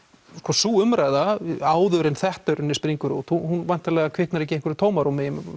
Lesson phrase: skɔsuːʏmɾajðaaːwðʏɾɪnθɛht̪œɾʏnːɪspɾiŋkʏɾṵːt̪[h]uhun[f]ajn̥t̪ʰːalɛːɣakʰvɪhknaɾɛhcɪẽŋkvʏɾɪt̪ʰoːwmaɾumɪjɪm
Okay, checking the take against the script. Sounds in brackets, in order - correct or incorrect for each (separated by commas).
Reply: correct, incorrect